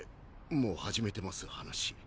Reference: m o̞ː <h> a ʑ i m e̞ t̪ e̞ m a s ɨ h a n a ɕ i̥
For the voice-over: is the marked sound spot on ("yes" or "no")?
yes